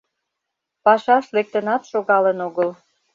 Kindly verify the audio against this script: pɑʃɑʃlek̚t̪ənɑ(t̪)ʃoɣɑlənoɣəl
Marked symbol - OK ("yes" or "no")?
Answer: yes